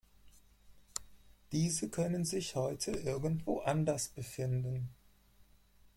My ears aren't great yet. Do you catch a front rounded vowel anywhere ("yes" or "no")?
yes